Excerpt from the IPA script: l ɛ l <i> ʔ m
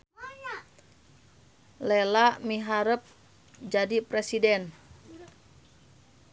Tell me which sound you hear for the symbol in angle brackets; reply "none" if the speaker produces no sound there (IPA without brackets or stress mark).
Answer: a